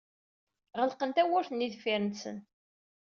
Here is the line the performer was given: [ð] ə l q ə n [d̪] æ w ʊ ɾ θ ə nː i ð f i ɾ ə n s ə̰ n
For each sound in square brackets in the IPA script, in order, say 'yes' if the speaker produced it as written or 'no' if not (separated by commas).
no, no